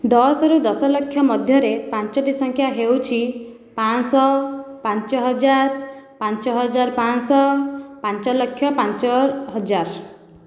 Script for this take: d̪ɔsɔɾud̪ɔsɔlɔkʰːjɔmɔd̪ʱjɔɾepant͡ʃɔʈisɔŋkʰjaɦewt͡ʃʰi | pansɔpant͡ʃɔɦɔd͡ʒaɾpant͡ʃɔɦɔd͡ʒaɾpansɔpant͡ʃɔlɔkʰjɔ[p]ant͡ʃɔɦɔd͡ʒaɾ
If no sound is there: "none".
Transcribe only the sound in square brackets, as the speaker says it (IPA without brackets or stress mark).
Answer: p